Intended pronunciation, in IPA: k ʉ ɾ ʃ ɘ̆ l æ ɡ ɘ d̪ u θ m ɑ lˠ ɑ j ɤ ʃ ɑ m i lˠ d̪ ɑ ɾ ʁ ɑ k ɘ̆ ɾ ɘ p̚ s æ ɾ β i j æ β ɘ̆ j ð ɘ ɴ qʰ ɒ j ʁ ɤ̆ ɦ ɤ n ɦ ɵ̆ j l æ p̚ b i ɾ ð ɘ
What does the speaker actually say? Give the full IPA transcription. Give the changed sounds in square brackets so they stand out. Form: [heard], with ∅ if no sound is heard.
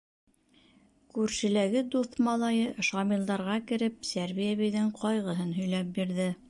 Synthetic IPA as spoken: k ʉ ɾ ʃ ɘ̆ l æ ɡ ɘ d̪ u θ m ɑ lˠ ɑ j ɤ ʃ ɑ m i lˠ d̪ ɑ ɾ ʁ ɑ k ɘ̆ ɾ ɘ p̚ s æ ɾ β i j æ β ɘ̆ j ð ɘ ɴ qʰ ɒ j ʁ ɤ̆ ɦ ɤ n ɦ ɵ̆ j l æ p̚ b i ɾ ð ɘ